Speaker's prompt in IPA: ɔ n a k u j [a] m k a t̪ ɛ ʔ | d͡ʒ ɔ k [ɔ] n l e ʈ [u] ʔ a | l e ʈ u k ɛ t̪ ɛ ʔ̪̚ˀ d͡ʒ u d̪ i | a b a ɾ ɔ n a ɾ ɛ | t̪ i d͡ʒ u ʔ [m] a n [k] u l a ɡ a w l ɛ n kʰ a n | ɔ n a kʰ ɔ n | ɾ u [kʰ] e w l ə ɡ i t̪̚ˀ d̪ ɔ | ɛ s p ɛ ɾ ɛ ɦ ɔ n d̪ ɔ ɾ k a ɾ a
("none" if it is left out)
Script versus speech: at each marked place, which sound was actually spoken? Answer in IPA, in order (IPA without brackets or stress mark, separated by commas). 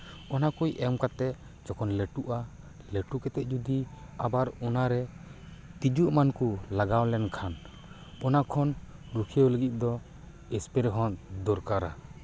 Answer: ɛ, ɔ, u, m, k, kʰ